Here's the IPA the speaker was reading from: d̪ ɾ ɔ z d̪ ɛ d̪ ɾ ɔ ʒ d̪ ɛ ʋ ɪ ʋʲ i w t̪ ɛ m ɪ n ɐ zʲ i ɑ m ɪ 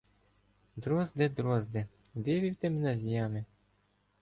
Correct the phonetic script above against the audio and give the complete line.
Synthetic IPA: d̪ ɾ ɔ z d̪ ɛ d̪ ɾ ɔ z d̪ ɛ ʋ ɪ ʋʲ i w t̪ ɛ m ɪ n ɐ zʲ j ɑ m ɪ